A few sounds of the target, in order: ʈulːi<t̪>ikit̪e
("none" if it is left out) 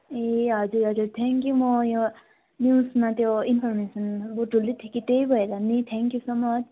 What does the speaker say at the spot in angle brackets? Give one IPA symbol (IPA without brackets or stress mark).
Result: t̪ʰ